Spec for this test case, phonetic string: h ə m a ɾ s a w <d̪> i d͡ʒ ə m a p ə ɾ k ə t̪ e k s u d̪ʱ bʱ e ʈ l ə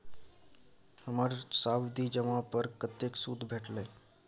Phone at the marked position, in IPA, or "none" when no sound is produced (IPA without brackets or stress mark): d̪